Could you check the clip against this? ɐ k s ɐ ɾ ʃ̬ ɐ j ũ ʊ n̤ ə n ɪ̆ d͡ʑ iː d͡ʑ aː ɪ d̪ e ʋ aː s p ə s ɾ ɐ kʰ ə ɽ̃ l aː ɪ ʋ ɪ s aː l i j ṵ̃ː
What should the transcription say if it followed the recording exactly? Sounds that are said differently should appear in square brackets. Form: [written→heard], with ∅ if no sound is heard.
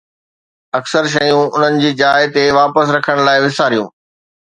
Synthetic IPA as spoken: ɐ k s [ɐ→ə] ɾ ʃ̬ ɐ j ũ ʊ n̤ ə n ɪ̆ d͡ʑ iː d͡ʑ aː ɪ [d̪→t̪] e ʋ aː [s→∅] p ə s ɾ ɐ kʰ ə ɽ̃ l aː ɪ ʋ ɪ s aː [l→ɾ] i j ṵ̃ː